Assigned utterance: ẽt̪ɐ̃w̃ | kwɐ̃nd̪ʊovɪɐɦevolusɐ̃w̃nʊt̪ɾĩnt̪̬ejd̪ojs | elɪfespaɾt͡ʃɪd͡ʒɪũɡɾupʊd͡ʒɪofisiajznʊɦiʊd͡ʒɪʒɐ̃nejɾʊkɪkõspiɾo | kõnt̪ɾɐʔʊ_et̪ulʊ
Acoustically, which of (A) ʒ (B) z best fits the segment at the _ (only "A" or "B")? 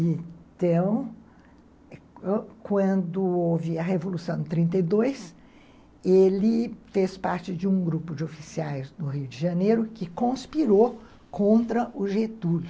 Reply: A